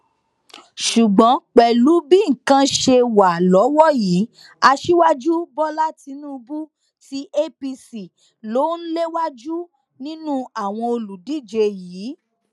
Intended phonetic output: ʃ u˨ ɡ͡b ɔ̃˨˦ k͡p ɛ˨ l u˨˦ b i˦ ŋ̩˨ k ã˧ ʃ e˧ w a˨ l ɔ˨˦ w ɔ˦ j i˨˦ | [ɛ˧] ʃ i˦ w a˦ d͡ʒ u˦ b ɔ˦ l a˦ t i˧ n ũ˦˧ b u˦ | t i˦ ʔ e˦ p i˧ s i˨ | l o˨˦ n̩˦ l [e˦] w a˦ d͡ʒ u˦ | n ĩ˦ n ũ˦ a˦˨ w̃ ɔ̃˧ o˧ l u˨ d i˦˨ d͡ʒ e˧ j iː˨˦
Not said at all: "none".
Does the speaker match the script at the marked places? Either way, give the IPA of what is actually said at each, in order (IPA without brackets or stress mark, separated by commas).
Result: a˧, e˦